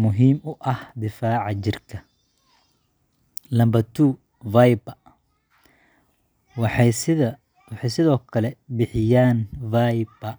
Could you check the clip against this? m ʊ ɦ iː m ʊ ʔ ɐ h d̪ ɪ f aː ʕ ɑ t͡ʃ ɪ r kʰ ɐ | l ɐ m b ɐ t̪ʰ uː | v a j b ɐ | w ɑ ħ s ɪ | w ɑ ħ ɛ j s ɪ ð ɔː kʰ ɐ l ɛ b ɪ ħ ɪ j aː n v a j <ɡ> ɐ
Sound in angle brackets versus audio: incorrect: b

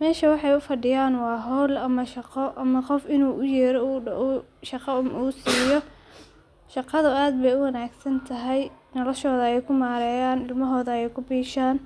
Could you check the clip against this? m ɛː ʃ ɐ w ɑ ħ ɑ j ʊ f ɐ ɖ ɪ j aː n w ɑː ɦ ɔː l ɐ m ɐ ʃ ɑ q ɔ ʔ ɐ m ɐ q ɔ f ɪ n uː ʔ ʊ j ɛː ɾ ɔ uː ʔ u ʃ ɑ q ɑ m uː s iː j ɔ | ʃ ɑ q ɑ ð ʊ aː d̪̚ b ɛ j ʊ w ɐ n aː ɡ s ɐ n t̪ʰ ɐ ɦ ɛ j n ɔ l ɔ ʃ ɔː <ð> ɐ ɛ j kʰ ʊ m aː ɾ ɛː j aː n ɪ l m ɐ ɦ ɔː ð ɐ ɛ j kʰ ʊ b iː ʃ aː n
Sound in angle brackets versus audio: correct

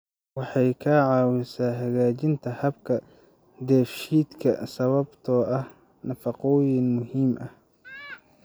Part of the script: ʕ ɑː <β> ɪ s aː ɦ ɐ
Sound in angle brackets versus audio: incorrect: w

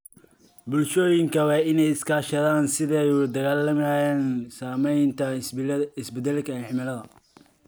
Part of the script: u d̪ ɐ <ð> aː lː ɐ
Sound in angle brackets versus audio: incorrect: ɣ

